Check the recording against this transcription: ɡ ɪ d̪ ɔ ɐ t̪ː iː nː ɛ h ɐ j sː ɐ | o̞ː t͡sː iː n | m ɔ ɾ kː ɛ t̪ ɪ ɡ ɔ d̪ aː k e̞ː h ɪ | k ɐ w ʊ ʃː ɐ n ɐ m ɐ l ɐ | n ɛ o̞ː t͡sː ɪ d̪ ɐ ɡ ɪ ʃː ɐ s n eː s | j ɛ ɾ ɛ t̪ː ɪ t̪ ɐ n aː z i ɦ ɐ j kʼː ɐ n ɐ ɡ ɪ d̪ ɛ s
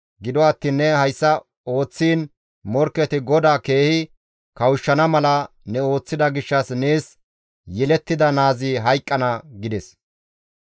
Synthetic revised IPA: ɡ ɪ d̪ ɔ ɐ t̪ː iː nː ɛ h ɐ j sː ɐ | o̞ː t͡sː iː n | m ɔ ɾ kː ɛ t̪ ɪ ɡ ɔ d̪ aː k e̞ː h ɪ | k ɐ w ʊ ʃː ɐ n ɐ m ɐ l ɐ | n ɛ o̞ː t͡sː ɪ d̪ ɐ ɡ ɪ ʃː ɐ s n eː s | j ɛ l ɛ t̪ː ɪ d̪ ɐ n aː z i ɦ ɐ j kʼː ɐ n ɐ ɡ ɪ d̪ ɛ s